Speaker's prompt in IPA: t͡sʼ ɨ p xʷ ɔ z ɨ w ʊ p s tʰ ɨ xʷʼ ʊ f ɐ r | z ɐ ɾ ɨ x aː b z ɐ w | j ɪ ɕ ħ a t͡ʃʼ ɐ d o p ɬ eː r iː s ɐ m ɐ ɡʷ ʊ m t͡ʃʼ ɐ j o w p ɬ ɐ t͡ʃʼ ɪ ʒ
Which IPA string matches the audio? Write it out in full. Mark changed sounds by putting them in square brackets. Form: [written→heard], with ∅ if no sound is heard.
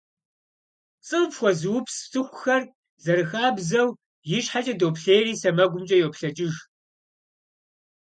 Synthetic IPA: t͡sʼ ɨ p xʷ ɔ z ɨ w ʊ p s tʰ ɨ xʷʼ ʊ [f→x] ɐ r | z ɐ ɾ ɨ x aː b z ɐ w | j ɪ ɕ ħ a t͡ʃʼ ɐ d o p ɬ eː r iː s ɐ m ɐ ɡʷ ʊ m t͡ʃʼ ɐ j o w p ɬ ɐ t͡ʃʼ ɪ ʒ